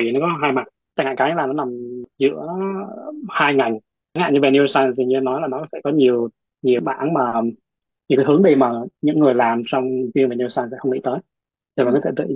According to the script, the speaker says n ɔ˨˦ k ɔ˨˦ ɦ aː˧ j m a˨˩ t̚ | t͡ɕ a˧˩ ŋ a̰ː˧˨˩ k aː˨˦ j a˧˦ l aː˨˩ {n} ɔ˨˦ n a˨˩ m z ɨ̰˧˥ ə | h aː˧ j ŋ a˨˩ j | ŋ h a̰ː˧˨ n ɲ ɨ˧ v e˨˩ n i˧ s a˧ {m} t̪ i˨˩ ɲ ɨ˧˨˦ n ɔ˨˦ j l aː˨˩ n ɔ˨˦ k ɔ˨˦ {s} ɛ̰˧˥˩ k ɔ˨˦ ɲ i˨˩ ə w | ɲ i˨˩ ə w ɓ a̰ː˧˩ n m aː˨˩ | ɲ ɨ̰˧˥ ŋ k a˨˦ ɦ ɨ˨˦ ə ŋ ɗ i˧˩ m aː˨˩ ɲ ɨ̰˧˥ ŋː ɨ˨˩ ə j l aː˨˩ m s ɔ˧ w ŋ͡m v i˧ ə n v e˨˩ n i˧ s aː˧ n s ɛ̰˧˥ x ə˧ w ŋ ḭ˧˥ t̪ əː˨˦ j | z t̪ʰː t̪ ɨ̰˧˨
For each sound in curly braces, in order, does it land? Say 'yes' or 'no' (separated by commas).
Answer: yes, no, yes